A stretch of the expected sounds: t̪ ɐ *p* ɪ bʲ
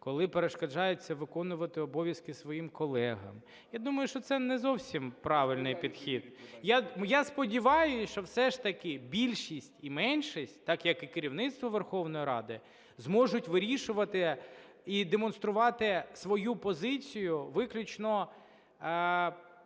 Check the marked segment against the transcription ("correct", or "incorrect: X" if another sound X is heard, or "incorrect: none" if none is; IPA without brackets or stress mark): incorrect: k